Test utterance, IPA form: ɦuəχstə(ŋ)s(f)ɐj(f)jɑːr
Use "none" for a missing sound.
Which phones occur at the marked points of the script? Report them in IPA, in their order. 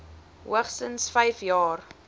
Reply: n, f, f

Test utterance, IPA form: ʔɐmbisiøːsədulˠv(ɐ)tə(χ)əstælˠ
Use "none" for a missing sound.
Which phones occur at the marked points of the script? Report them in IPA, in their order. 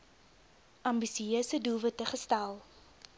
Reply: ə, χ

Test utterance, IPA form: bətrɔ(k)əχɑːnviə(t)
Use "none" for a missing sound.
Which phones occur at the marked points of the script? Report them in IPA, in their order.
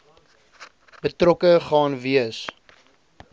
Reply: k, s

